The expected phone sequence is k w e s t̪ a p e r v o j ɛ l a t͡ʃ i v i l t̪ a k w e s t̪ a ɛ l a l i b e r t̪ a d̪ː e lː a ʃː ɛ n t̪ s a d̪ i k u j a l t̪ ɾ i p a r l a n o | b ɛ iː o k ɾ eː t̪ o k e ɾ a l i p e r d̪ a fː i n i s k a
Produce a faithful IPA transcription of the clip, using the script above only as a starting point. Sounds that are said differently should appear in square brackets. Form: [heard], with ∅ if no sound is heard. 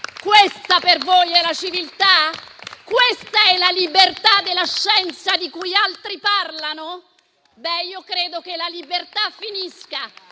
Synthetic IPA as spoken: k w e s t̪ a p e r v o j ɛ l a t͡ʃ i v i l t̪ a k w e s t̪ a ɛ l a l i b e r t̪ a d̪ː e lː a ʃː ɛ n t̪ s a d̪ i k u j a l t̪ ɾ i p a r l a n o | b ɛ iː o k ɾ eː [d̪] o k e [l] a l i [b] e r [t̪] a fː i n i s k a

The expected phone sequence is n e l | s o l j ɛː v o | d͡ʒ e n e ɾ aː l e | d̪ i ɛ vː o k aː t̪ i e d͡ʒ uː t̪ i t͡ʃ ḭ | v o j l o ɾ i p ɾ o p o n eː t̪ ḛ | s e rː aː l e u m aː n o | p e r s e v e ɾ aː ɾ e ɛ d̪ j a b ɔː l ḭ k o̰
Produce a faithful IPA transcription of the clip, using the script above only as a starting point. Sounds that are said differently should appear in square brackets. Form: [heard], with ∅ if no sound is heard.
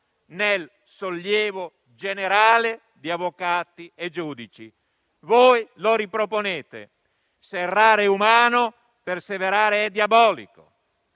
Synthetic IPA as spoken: n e l | s o l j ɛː v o | d͡ʒ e n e ɾ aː l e | d̪ i [a] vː o k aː t̪ i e d͡ʒ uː [d̪] i t͡ʃ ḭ | v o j l o ɾ i p ɾ o p o n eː t̪ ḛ | s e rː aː [ɾ] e u m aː n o | p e r s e v e ɾ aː ɾ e ɛ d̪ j a b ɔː l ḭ k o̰

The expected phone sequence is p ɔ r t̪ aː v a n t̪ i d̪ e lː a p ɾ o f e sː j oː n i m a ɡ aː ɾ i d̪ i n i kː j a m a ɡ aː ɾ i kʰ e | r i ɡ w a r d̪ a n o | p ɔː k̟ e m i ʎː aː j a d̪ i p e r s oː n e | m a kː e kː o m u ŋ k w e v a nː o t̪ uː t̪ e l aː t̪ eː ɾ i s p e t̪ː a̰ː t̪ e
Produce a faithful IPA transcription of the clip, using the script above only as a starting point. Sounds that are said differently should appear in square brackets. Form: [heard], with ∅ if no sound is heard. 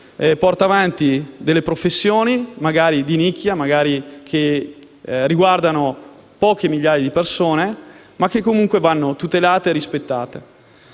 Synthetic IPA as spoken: p ɔ r t̪ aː v a n t̪ i d̪ e lː [e] p ɾ o f e sː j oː n i m a ɡ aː ɾ i d̪ i n i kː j a m a ɡ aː ɾ i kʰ e | r i ɡ w a r d̪ a n o | p ɔː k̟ e m i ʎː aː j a d̪ i p e r s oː n e | m a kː e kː o m u ŋ k w e v a nː o t̪ [u] t̪ e l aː t̪ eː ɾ i s p e t̪ː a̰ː t̪ e

